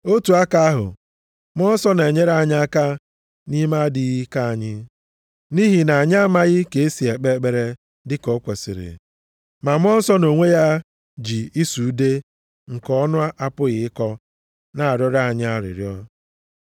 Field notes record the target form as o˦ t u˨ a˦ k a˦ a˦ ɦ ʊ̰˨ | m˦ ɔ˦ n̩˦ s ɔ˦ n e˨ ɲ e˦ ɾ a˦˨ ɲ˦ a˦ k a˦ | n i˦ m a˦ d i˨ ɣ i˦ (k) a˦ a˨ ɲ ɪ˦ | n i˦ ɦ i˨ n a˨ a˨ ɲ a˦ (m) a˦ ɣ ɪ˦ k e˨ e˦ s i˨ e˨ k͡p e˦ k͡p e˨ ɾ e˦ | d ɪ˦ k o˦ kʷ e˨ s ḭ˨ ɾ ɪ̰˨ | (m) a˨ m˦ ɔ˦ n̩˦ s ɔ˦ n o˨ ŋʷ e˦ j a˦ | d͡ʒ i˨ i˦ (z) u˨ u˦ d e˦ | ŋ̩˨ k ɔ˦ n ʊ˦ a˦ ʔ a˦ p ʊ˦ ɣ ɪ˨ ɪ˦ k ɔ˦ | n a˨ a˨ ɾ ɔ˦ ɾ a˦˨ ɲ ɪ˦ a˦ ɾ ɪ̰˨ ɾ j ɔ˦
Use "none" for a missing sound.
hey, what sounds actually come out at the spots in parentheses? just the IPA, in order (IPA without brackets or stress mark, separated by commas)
k, m, m, s